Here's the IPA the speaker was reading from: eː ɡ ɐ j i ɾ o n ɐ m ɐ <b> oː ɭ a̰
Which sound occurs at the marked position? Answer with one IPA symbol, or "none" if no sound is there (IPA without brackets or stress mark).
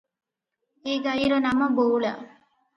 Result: b